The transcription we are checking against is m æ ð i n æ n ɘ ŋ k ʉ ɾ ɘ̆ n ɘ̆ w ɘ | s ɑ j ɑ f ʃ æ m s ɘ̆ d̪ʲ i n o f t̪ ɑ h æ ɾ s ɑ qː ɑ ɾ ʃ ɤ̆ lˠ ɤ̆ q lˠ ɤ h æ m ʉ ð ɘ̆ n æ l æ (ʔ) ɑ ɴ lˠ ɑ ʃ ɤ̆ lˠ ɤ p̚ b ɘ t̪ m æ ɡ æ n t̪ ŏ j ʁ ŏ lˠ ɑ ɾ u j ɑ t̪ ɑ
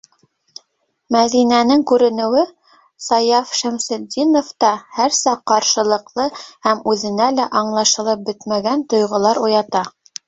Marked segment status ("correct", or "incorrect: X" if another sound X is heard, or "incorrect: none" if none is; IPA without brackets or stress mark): correct